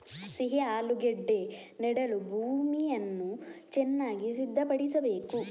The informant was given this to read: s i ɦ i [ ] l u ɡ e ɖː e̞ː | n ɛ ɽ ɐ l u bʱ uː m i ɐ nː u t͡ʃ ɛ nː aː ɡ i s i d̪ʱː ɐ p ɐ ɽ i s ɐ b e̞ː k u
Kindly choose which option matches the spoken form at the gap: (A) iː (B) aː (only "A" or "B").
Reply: B